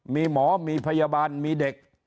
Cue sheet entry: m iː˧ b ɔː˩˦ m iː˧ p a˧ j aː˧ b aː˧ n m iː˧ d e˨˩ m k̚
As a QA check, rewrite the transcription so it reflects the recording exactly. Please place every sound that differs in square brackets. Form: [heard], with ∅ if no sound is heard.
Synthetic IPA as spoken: m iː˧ [m] ɔː˩˦ m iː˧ [pʰ] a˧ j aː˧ b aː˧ n m iː˧ d e˨˩ [∅] k̚